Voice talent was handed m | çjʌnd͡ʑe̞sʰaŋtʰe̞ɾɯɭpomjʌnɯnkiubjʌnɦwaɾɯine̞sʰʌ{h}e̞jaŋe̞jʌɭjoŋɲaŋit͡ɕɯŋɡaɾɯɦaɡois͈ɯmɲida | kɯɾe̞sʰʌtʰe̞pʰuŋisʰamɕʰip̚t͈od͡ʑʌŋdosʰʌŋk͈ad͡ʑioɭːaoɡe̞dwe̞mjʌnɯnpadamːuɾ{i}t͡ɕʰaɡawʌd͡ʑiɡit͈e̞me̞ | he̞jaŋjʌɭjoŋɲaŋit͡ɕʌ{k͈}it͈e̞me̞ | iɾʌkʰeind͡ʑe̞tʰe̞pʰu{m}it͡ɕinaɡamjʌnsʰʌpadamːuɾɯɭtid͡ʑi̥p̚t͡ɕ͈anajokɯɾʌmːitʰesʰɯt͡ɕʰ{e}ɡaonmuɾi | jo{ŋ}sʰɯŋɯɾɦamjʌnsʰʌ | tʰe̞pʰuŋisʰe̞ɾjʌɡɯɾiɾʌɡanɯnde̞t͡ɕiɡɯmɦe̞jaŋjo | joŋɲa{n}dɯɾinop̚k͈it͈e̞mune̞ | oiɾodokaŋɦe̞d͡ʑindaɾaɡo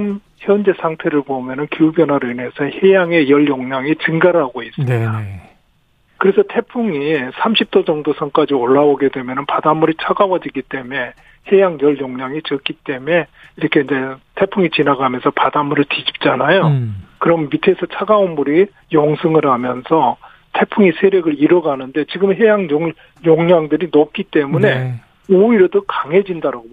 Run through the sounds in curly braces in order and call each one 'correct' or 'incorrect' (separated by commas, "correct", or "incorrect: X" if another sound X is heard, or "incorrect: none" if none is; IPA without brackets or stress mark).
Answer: correct, correct, correct, incorrect: ŋ, incorrect: a, correct, incorrect: ŋ